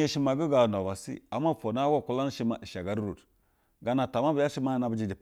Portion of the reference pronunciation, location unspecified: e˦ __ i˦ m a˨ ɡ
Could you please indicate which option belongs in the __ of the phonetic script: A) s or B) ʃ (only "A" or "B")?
B